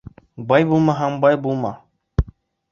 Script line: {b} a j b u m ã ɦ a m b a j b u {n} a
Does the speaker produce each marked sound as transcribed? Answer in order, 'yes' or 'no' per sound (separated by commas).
yes, no